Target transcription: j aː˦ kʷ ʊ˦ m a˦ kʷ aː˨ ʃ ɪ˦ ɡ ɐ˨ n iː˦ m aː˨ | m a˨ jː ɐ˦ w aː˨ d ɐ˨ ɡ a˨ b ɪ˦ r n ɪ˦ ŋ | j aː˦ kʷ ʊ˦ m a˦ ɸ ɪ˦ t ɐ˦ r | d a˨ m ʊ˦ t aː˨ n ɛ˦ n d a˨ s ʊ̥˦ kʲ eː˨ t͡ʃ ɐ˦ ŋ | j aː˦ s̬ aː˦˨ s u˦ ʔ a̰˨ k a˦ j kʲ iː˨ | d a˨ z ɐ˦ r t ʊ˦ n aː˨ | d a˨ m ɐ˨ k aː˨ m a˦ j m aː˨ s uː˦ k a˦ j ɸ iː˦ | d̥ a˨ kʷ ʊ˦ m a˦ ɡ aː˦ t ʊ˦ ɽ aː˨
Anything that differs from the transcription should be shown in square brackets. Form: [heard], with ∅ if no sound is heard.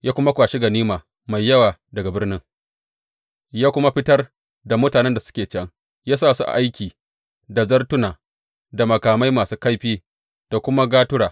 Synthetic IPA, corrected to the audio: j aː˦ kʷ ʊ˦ m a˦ kʷ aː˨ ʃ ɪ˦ ɡ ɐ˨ n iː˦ m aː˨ | m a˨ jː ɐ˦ w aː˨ d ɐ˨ ɡ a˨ b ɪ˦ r n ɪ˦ ŋ | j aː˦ kʷ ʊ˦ m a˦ ɸ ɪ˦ t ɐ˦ r | d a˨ m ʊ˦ t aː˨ n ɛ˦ n d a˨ s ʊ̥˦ kʲ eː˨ t͡ʃ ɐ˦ ŋ | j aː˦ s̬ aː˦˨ s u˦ ʔ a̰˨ [ʔ] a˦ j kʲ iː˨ | d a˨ z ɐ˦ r t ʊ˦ n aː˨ | d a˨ m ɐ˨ k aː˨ m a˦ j m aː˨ s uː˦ k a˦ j ɸ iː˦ | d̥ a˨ kʷ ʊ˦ m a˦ ɡ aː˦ t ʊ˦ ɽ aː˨

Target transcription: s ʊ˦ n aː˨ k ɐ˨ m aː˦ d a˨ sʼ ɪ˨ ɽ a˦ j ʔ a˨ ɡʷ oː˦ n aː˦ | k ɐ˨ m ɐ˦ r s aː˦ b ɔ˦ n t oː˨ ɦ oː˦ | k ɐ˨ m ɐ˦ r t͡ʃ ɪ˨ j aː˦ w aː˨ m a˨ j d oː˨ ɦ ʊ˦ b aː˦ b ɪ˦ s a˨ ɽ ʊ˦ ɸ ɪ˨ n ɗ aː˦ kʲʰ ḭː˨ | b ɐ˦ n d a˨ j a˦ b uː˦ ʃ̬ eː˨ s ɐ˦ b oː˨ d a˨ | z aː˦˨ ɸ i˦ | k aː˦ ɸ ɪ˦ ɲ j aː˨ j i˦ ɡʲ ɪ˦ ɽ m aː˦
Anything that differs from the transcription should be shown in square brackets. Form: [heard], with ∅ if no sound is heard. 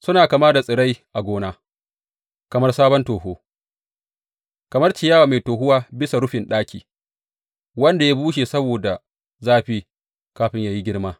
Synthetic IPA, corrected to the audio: s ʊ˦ n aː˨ k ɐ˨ m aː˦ d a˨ sʼ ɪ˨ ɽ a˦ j ʔ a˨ ɡʷ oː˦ n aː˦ | k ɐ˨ m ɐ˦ r s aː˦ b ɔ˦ n t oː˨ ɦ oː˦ | k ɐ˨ m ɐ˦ r t͡ʃ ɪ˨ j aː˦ w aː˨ m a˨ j [t] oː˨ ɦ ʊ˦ [w] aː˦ b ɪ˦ s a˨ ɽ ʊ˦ ɸ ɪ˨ n ɗ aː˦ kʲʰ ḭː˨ | [w] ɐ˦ n d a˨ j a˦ b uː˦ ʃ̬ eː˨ s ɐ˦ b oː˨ d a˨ | z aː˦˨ ɸ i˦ | k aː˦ ɸ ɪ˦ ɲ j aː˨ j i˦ ɡʲ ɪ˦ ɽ m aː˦

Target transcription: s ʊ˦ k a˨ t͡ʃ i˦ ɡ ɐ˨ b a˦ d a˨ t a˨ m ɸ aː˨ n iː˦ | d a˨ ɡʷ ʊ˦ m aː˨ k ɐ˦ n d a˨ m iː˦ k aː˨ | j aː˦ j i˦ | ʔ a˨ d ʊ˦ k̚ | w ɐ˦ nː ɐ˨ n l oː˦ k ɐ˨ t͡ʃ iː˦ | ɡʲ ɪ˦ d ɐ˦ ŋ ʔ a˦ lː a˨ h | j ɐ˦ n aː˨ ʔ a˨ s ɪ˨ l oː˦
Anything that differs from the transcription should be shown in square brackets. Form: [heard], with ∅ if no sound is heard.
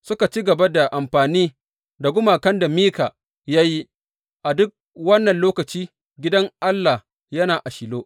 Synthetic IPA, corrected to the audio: s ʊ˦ k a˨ t͡ʃ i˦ ɡ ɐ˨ b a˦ d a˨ [ʔ] a˨ m ɸ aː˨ n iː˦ | d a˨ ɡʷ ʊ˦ m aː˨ k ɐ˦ n d a˨ m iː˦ k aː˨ | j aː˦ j i˦ | ʔ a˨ d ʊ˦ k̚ | w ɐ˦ nː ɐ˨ n l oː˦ k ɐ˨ t͡ʃ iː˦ | ɡʲ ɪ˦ d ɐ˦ ŋ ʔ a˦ lː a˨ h | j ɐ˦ n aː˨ ʔ a˨ [ʃ] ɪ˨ l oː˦

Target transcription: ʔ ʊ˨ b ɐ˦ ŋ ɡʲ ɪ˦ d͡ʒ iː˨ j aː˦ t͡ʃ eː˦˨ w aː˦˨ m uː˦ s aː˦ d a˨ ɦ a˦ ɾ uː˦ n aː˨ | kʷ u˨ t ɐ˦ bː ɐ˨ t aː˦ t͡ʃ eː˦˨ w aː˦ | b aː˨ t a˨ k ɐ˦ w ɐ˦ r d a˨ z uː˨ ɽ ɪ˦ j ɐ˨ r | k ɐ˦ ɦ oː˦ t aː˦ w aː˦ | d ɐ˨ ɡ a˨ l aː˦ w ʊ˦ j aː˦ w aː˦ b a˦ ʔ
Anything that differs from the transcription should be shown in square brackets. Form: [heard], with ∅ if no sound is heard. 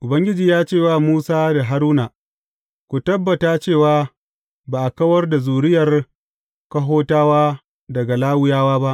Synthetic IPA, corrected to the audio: ʔ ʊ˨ b ɐ˦ ŋ ɡʲ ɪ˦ d͡ʒ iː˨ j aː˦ t͡ʃ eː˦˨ w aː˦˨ m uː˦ s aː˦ d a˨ ɦ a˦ ɾ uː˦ n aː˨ | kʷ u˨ t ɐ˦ bː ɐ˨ t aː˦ t͡ʃ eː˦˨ w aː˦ | b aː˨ [ʔ] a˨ k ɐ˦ w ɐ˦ r d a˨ z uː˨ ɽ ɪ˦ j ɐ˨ r | k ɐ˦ ɦ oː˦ t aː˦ w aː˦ | d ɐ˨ ɡ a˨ l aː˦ w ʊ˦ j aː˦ w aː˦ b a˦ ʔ

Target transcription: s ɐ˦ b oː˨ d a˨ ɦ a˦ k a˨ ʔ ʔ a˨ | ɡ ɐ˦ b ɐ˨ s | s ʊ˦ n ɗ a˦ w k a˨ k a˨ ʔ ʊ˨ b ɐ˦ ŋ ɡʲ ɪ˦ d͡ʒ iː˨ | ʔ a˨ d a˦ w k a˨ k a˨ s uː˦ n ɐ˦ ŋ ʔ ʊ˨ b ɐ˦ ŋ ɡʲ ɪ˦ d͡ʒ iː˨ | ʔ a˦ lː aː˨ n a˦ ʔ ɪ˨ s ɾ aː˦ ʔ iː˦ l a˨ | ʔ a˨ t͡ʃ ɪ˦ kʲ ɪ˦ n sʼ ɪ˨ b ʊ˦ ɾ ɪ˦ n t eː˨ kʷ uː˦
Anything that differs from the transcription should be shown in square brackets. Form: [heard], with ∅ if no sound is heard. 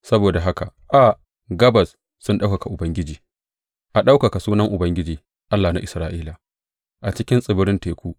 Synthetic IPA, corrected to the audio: s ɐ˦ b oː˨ d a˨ ɦ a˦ k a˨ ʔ ʔ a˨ | ɡ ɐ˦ b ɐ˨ s | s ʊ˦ n ɗ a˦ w k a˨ k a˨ ʔ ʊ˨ b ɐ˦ ŋ ɡʲ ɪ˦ d͡ʒ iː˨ | ʔ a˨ [ɗ] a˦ w k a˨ k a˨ s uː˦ n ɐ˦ ŋ ʔ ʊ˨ b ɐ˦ ŋ ɡʲ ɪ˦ d͡ʒ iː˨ | ʔ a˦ lː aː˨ n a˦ ʔ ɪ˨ s ɾ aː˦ ʔ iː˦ l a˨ | ʔ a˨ t͡ʃ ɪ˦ kʲ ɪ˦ n sʼ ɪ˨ b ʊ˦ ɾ ɪ˦ n t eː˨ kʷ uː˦

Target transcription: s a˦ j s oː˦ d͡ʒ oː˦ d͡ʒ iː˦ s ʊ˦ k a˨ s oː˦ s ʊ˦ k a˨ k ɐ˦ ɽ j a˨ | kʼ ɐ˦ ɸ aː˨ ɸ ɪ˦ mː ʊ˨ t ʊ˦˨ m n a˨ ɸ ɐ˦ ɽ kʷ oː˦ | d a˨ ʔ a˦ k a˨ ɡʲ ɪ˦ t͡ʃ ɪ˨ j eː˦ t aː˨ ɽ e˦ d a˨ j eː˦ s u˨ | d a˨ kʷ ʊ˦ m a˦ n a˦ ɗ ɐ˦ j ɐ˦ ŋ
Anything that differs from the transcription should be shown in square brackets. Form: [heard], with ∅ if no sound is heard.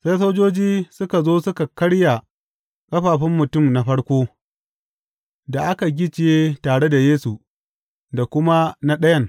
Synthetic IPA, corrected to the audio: s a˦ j s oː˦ d͡ʒ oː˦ d͡ʒ iː˦ s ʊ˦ k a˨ [z] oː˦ s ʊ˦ k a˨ k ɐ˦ ɽ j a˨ | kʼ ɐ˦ ɸ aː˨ ɸ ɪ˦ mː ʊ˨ t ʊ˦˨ m n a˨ ɸ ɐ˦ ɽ kʷ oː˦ | d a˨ ʔ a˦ k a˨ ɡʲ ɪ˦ t͡ʃ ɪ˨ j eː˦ t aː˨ ɽ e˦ d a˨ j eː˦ s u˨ | d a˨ kʷ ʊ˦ m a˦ n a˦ ɗ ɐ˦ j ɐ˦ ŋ

